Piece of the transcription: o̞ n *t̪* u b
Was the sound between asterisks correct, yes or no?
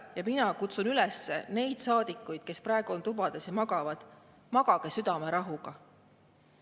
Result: yes